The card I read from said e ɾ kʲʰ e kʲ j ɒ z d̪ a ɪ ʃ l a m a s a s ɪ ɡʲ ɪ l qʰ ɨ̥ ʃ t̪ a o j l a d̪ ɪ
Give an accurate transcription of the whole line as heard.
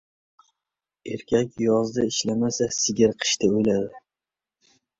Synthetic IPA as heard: e ɾ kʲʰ a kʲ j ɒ z d̪ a ɪ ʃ l a m a s a s ɪ ɡʲ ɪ ɾ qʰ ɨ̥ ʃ t̪ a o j l a d̪ ɪ